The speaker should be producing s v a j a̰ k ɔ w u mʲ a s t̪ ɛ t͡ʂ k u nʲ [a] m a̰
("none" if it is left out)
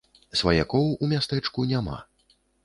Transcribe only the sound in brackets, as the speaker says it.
a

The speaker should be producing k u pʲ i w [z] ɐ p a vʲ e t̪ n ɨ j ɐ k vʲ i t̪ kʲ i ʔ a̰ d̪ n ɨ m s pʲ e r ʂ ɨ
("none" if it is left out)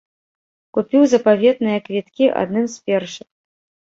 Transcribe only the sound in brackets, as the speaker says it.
z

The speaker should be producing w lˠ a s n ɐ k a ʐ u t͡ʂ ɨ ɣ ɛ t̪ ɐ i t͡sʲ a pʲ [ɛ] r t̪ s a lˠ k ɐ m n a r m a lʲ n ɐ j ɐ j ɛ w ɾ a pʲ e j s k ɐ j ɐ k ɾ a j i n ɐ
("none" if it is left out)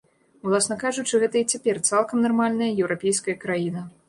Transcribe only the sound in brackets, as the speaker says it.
ɛ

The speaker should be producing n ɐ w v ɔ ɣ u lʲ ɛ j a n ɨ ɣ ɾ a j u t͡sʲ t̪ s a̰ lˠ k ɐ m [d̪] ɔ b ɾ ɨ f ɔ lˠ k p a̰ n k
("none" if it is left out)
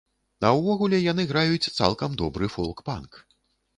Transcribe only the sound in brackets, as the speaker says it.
d̪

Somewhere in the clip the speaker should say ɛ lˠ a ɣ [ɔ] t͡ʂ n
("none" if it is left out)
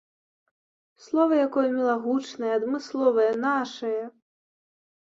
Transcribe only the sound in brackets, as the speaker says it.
u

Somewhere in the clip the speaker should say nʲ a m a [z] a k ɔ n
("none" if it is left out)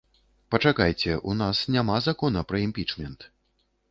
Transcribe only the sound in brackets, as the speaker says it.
z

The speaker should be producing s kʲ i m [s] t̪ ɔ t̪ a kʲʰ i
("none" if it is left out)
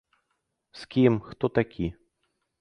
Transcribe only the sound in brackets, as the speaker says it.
x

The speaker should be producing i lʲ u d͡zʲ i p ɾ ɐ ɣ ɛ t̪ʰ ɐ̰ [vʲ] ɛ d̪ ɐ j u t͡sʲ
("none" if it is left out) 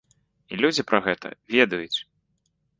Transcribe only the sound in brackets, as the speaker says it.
vʲ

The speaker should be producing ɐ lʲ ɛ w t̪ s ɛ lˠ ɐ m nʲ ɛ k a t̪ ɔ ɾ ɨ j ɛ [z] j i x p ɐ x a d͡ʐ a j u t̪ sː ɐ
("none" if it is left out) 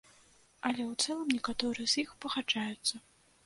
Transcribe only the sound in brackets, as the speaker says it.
z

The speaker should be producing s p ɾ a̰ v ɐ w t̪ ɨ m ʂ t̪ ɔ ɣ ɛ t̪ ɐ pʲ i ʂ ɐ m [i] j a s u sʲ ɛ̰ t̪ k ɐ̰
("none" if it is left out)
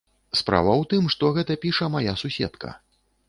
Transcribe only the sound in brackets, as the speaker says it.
a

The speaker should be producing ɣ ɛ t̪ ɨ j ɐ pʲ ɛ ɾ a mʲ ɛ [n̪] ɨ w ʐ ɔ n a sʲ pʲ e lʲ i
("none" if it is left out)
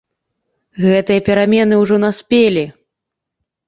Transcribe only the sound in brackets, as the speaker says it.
n̪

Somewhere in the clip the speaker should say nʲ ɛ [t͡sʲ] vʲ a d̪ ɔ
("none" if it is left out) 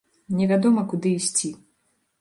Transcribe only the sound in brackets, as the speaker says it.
none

